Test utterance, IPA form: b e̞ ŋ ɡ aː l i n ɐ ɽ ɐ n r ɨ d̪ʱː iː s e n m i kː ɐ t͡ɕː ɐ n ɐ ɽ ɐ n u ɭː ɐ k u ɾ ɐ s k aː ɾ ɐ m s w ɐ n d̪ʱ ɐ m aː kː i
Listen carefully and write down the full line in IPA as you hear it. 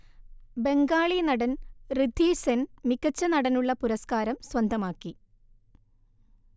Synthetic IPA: b e̞ ŋ ɡ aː ɭ i n ɐ ɽ ɐ n r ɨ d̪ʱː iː s e n m i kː ɐ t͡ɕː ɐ n ɐ ɽ ɐ n u ɭː ɐ p u ɾ ɐ s k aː ɾ ɐ m s w ɐ n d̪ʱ ɐ m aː kː i